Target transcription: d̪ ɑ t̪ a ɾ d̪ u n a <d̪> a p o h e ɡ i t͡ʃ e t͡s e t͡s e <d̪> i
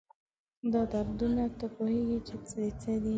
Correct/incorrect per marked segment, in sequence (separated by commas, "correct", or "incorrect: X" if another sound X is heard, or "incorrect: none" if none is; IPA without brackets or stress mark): incorrect: t̪, correct